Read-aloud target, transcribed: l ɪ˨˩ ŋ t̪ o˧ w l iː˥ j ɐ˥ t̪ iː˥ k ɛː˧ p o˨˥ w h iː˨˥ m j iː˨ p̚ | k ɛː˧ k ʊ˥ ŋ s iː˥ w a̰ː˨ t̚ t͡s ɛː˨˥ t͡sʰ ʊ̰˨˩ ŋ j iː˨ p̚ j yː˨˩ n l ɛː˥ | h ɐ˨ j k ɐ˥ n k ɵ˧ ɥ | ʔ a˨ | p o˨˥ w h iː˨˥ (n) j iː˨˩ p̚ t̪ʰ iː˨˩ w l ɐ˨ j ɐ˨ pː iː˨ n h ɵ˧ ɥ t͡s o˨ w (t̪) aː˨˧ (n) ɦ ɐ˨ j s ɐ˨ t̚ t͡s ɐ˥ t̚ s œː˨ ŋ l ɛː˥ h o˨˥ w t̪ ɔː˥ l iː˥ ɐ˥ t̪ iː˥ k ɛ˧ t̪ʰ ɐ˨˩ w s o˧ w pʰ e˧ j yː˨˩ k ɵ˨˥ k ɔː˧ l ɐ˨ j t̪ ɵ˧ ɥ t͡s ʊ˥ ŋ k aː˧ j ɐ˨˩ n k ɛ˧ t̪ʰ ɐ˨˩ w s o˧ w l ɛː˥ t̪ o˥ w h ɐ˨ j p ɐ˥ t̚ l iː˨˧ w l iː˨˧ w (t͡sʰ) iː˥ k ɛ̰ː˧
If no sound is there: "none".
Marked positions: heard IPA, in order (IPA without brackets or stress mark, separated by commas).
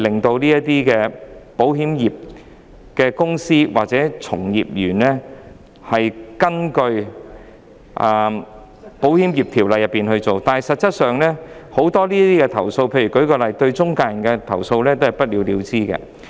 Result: m, t̪, n, t͡s